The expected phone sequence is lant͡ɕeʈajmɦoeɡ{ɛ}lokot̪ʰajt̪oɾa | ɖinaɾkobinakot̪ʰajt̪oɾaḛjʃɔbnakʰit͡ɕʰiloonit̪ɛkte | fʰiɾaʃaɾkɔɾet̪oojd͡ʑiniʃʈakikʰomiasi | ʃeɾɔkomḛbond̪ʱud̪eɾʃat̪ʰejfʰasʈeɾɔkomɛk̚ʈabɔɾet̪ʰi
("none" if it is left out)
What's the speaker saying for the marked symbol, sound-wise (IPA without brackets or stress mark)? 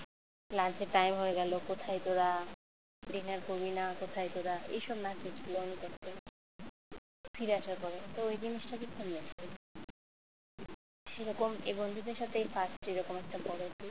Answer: ɛ